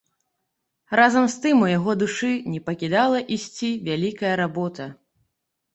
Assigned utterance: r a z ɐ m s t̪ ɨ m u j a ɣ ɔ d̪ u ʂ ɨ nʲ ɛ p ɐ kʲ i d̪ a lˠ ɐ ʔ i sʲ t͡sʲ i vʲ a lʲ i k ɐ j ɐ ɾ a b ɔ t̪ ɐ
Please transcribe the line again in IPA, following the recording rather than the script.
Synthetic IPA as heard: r a z ɐ m s t̪ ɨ m u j a ɣ ɔ d̪ u ʂ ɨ nʲ ɛ p ɐ kʲ i d̪ a lˠ ɐ ʔ i sʲ t͡sʲ i vʲ a lʲ i k ɐ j ɐ ɾ a b ɔ t̪ ɐ

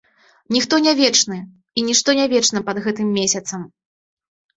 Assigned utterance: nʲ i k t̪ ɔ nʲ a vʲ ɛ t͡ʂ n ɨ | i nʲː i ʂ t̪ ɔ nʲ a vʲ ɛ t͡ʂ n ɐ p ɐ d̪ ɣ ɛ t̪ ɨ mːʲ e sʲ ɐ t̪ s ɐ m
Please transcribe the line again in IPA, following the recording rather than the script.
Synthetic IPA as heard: nʲ i x t̪ ɔ nʲ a vʲ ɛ t͡ʂ n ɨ | i nʲ i ʂ t̪ ɔ nʲ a vʲ ɛ t͡ʂ n ɐ p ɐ d̪ ɣ ɛ t̪ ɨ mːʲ e sʲ ɐ t̪ s ɐ m

